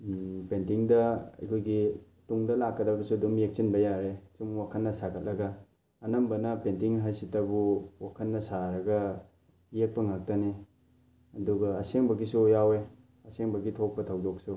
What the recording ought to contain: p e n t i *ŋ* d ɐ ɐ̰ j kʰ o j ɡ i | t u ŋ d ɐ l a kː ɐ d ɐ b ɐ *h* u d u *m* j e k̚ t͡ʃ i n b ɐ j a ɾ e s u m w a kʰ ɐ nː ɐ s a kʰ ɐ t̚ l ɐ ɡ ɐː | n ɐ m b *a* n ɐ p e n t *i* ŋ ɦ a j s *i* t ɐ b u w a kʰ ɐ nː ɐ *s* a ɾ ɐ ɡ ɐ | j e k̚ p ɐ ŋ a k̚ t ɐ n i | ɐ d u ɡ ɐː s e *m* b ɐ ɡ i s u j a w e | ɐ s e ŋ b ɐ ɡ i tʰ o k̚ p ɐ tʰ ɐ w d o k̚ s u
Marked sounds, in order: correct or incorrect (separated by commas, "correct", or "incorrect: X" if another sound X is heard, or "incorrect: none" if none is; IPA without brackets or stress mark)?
correct, incorrect: s, correct, incorrect: ɐ, correct, correct, correct, incorrect: ŋ